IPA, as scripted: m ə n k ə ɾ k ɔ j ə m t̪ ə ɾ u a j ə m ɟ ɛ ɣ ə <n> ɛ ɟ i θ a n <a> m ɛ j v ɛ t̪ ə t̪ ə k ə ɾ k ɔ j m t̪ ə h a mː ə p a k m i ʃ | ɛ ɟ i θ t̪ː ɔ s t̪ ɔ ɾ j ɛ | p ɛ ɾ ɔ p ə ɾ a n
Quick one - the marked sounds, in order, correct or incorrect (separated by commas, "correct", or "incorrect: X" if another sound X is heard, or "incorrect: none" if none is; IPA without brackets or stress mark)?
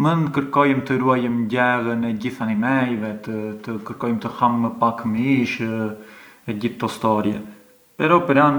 correct, incorrect: i